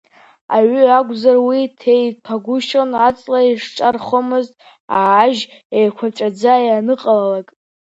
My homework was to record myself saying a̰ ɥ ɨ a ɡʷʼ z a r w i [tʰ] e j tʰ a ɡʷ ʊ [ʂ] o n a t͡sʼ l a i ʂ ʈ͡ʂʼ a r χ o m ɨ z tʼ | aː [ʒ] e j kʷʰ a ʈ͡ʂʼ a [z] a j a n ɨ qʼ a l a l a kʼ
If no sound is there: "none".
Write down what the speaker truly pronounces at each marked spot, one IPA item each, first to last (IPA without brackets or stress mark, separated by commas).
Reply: tʰ, ʃ, ʒ, d͡z